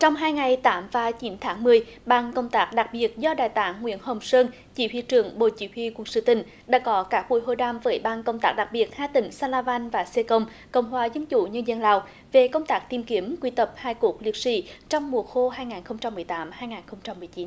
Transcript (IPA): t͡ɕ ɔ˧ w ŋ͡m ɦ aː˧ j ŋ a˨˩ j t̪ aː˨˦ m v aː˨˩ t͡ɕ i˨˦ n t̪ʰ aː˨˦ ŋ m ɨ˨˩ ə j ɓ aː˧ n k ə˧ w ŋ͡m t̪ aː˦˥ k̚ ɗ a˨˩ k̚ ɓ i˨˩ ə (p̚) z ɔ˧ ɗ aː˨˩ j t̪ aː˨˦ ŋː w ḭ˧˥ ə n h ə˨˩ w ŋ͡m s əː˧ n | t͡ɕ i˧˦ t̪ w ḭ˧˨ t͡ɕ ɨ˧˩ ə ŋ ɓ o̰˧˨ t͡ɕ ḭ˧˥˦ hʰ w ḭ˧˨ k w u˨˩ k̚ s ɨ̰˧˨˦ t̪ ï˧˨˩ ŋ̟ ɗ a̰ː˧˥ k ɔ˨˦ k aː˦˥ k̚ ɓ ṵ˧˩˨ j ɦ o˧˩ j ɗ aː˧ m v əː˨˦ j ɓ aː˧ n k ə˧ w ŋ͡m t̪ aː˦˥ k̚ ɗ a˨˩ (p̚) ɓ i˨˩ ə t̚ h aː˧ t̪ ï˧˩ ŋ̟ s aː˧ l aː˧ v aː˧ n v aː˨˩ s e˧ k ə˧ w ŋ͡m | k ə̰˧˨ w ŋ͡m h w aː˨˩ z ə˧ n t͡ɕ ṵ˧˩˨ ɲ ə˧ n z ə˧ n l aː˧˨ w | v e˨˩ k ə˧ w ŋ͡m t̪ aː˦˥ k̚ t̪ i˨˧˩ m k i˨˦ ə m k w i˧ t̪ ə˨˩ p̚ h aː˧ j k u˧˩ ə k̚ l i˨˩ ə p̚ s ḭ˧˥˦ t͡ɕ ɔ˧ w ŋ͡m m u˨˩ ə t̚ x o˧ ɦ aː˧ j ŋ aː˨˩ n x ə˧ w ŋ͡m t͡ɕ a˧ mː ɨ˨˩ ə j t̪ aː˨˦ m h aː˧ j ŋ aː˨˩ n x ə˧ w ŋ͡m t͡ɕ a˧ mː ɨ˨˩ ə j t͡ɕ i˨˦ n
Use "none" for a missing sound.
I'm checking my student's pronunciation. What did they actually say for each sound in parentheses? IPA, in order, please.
t̚, k̚

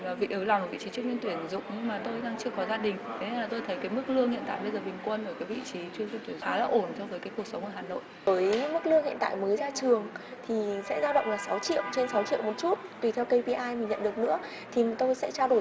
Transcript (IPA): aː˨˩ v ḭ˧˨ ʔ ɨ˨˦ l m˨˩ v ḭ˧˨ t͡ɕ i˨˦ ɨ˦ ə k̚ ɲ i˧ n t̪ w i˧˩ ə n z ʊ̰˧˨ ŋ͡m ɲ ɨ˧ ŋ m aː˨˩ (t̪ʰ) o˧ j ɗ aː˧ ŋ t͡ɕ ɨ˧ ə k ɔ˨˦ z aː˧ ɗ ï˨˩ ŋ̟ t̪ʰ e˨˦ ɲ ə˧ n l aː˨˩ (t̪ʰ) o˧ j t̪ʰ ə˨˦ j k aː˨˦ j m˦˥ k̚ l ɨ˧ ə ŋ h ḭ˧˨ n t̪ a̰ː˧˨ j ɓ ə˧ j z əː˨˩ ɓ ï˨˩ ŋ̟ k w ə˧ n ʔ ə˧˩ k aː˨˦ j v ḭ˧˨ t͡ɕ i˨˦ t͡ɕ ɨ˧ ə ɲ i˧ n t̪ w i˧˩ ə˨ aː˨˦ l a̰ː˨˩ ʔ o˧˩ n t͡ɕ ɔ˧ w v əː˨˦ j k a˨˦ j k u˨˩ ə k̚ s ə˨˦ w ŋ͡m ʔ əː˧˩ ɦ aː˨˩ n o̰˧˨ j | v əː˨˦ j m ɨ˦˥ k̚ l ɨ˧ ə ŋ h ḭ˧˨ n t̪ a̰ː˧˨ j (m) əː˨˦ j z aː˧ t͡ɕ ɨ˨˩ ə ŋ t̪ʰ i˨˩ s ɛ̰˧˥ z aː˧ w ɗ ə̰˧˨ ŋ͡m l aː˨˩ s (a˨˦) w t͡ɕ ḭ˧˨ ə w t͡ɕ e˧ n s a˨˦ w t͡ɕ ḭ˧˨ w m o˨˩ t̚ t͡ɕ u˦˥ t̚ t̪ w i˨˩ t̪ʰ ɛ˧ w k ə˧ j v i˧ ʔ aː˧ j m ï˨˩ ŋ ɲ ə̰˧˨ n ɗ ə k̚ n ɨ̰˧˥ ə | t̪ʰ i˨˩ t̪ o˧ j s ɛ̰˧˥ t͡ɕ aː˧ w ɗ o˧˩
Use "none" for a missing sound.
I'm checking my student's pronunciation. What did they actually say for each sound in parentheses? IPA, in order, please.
t̪, t̪, m, a˨˦

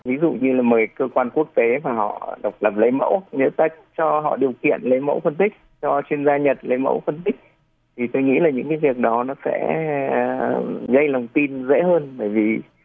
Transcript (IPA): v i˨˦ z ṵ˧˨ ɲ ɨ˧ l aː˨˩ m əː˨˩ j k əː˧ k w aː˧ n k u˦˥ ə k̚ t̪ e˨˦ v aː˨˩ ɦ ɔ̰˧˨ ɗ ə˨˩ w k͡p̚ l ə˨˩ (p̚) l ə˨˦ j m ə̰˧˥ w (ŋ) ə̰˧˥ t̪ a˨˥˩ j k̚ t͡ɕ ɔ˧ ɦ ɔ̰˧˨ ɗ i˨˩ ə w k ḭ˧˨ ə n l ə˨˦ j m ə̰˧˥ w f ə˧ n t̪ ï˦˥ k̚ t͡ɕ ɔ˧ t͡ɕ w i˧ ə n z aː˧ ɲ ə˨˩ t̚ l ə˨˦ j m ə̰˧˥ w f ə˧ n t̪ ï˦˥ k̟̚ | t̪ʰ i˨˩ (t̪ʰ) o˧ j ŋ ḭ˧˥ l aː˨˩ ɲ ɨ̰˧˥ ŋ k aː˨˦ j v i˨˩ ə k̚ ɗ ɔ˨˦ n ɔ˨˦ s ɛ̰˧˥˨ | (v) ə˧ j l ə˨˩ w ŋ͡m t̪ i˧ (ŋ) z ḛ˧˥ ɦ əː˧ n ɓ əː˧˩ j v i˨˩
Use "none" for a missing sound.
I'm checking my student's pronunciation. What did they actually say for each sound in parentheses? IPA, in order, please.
p̚, ɲ, t̪, ɣ, n

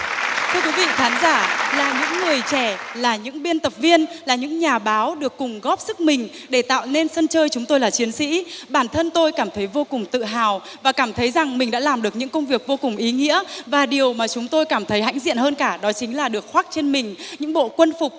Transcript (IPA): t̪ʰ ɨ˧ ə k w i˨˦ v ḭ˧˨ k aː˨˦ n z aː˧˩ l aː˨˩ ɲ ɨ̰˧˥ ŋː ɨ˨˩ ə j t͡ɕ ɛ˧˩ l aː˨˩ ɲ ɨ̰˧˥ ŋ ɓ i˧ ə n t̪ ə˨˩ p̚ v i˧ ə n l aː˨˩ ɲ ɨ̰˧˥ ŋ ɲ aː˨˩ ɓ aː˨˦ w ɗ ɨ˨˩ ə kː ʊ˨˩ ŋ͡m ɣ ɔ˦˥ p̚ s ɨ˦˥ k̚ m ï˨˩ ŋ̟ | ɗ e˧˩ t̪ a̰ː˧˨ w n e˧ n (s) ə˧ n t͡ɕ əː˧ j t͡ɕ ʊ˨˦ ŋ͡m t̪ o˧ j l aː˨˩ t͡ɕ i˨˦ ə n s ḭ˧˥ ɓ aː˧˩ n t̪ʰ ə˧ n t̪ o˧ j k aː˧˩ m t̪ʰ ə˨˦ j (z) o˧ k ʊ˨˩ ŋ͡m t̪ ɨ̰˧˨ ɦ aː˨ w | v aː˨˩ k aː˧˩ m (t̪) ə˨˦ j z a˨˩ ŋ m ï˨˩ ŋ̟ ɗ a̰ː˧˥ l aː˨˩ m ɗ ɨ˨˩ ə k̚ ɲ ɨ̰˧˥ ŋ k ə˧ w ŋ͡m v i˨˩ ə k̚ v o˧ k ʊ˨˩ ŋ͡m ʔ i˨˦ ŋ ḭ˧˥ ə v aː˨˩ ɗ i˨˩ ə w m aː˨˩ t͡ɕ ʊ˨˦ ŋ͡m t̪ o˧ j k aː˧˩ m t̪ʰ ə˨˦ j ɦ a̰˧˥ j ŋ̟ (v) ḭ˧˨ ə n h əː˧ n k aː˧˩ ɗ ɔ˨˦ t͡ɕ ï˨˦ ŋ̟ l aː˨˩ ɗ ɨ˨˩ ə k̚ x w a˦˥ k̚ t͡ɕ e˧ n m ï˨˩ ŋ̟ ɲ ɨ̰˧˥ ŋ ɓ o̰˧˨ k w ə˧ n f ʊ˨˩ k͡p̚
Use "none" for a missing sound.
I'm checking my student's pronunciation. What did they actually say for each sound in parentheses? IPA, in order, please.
s, v, t̪ʰ, z

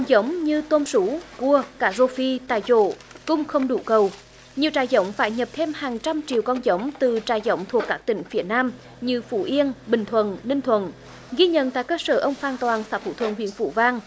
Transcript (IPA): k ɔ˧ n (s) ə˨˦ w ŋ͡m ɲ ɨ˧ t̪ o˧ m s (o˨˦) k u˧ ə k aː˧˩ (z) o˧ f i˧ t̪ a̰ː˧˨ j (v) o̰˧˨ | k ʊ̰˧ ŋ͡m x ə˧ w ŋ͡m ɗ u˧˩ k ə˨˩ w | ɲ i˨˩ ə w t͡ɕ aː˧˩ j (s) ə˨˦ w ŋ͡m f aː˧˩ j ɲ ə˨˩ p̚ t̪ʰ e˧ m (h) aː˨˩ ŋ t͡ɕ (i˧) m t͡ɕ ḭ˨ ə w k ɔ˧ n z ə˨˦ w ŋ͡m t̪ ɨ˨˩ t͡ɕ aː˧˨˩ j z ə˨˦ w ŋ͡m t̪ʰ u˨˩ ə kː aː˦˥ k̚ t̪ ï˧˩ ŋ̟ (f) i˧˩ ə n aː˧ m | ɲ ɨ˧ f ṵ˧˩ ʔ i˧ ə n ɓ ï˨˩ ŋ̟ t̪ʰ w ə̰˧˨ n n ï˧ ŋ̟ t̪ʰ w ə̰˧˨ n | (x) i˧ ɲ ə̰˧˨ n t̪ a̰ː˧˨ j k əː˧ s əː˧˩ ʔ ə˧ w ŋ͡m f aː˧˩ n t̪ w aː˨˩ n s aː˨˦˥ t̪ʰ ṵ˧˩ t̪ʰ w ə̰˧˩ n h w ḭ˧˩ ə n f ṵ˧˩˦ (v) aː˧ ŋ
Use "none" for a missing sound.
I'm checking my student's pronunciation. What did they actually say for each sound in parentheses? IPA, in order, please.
z, u˨˦, z, z, z, h, a˧, f, ɣ, v

